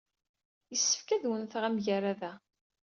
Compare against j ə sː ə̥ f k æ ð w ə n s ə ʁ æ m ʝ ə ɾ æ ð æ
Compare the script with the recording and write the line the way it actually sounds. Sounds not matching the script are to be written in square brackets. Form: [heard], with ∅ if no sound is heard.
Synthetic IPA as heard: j ə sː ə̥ f k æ ð w ə n [θ] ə ʁ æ m ʝ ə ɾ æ ð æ

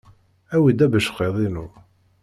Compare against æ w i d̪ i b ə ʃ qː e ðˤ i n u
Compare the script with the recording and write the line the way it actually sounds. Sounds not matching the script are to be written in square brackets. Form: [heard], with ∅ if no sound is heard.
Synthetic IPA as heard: æ w i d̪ [æ] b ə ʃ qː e ðˤ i n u

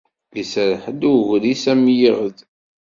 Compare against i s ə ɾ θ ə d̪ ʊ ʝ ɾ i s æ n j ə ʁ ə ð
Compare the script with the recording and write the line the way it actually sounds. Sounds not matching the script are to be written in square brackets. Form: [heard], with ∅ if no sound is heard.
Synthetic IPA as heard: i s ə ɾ [ħ] ə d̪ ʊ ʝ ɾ i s æ [m] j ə ʁ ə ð

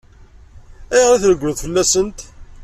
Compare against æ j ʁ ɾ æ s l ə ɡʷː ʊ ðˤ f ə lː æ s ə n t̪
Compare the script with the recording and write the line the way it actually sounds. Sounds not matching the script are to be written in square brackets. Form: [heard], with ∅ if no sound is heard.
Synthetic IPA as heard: æ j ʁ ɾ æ [θ] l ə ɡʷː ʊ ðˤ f ə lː æ s ə n t̪

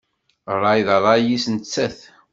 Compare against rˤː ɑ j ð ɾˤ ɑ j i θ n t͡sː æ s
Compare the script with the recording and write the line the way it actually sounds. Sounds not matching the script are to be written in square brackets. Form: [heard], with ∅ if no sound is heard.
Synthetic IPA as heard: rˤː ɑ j ð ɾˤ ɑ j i [s] n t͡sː æ [θ]

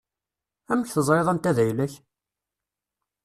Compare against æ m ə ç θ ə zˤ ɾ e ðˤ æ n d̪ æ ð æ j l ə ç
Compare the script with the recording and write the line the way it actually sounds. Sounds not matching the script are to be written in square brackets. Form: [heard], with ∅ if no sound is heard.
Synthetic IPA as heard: æ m ə ç θ ə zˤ ɾ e ðˤ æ n [t̪] æ ð æ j l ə ç

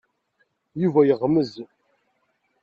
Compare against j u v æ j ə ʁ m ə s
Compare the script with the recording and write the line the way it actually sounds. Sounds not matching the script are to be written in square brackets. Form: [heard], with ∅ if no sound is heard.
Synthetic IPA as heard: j u v æ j ə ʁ m ə [z]

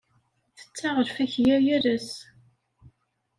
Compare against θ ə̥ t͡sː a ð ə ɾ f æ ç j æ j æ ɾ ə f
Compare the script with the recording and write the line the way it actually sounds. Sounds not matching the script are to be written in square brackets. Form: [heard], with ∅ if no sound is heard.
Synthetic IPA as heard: θ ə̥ t͡sː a [ʁ] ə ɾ f æ ç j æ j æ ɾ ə [s]

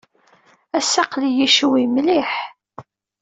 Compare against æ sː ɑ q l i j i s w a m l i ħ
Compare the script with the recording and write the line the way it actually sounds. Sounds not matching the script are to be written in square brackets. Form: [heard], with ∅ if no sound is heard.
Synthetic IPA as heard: æ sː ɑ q l i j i [ʃ] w [i] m l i ħ

